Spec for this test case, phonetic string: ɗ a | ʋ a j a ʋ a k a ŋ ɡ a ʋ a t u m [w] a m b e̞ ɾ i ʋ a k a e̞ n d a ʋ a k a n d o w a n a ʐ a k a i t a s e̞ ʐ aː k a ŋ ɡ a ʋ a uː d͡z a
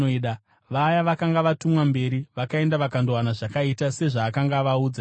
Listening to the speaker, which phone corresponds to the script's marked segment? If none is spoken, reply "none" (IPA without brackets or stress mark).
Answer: w